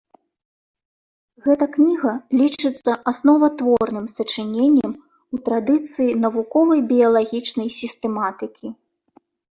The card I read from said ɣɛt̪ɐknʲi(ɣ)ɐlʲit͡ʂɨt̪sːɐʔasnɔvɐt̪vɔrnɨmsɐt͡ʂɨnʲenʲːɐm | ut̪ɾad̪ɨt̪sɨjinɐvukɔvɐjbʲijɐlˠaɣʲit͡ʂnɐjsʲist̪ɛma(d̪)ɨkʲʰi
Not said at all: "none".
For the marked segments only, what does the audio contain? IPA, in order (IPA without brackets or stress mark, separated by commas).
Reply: ɣ, t̪